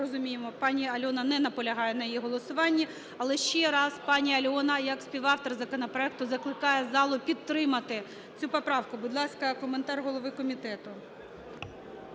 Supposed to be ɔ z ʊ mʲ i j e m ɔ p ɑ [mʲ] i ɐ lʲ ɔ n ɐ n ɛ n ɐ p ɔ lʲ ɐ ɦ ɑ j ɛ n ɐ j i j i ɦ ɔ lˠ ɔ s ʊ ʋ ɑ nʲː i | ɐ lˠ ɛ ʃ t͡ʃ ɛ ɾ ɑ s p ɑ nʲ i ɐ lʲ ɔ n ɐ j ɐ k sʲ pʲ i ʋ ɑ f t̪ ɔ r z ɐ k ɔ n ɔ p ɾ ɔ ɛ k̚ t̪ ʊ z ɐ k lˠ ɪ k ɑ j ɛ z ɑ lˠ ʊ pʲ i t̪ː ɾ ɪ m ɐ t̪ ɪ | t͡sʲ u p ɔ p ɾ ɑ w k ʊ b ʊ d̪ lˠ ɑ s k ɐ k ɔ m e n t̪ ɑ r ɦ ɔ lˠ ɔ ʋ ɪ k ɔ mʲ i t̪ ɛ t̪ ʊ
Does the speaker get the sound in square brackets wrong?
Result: yes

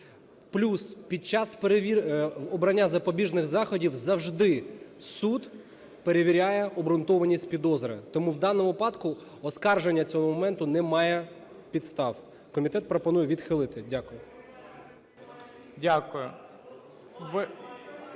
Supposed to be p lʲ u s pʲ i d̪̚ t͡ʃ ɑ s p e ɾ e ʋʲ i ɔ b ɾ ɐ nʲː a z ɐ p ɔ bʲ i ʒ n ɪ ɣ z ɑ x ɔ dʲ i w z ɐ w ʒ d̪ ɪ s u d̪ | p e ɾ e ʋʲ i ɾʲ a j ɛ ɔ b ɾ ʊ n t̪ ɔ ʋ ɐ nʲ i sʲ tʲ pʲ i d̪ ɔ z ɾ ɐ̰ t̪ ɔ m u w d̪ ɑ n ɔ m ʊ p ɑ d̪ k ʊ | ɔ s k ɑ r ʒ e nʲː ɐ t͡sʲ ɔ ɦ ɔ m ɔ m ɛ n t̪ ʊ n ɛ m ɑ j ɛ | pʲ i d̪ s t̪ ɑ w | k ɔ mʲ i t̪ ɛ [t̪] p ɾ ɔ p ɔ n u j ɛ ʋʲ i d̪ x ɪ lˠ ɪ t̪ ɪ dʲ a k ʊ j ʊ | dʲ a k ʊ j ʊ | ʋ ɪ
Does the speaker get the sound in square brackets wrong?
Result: no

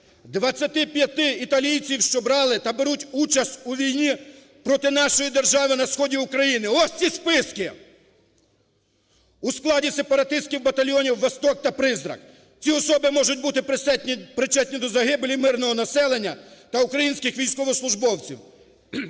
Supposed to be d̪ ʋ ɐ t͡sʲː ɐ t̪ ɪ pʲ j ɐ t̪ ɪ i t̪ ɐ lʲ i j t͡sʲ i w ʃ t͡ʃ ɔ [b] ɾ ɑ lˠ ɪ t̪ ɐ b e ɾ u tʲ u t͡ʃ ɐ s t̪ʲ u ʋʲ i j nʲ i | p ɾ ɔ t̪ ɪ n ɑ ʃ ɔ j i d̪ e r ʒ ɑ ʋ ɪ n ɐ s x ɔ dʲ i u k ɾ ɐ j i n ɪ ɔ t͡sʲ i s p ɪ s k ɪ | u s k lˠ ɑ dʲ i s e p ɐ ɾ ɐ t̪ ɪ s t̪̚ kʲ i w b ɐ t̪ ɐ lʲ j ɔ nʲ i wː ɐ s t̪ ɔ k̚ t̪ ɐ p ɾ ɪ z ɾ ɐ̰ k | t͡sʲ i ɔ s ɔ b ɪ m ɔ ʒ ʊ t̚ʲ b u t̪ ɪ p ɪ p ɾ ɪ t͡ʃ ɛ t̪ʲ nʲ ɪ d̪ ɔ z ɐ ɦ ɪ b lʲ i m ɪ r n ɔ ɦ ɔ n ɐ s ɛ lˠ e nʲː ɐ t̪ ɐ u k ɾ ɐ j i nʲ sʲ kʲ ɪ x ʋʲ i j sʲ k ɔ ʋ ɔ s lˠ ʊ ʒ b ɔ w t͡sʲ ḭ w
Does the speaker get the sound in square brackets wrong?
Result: no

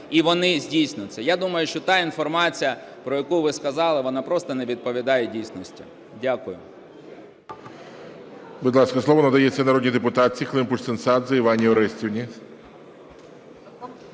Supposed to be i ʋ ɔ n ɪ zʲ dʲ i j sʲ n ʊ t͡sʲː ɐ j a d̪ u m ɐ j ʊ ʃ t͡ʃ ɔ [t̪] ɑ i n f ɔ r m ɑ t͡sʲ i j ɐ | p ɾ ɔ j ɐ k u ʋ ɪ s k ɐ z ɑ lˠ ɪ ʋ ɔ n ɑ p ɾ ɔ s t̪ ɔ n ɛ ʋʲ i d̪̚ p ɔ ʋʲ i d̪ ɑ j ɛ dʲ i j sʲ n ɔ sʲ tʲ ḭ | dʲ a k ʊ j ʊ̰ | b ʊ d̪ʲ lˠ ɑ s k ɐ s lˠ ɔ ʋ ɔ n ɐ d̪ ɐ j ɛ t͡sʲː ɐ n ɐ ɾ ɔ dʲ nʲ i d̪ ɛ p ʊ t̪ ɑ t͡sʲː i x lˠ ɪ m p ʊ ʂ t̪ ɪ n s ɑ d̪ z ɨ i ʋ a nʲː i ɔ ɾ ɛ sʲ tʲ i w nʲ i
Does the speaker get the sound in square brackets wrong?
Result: no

